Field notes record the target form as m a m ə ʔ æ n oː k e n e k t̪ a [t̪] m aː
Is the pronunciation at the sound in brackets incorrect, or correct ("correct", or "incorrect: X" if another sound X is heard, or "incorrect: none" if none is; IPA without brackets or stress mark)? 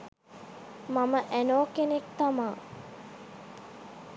incorrect: none